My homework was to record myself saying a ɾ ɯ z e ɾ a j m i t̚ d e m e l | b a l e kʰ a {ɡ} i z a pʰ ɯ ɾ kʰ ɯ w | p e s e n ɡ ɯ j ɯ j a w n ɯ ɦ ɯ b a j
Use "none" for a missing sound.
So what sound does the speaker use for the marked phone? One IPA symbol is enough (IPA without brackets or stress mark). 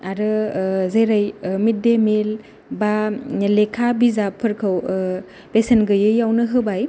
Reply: b